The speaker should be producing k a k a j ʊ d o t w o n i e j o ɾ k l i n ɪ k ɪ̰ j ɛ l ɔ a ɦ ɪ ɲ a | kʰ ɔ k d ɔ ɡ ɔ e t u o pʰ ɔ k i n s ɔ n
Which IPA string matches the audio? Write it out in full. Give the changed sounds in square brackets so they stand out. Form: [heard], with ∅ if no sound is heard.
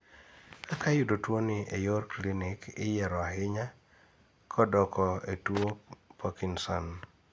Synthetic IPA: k a k a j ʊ d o t w o n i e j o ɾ k l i n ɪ k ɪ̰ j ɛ [ɾ] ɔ a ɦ ɪ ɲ a | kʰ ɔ [∅] d ɔ [k] ɔ e t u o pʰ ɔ k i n s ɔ n